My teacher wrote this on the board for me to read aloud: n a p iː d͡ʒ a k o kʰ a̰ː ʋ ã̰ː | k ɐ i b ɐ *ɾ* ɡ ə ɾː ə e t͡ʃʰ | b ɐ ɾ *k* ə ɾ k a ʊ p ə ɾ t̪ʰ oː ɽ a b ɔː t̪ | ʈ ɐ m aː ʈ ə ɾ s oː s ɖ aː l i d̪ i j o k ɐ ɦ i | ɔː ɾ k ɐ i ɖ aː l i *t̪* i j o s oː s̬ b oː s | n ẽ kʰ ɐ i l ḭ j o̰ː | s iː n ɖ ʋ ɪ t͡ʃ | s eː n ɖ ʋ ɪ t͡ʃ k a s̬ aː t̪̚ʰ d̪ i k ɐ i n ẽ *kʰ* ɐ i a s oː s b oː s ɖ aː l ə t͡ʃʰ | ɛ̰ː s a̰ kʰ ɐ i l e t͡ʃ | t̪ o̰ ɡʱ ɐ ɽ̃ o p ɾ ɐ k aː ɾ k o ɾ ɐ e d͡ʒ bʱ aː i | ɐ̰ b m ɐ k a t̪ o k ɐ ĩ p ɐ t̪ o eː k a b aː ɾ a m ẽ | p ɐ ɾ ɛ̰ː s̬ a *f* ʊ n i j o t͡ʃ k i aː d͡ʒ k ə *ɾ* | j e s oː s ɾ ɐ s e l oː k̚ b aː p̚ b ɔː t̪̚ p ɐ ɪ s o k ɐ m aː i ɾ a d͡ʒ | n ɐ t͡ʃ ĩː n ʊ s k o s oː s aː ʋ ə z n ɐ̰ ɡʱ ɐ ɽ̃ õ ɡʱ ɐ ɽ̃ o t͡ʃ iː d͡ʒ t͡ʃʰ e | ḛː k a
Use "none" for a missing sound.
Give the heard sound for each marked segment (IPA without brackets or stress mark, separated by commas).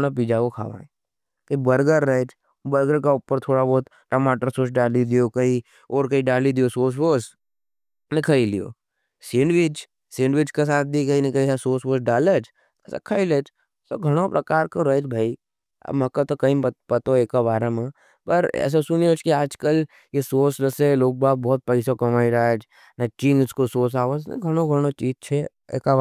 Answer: ɾ, ɡ, d̪, k, s, l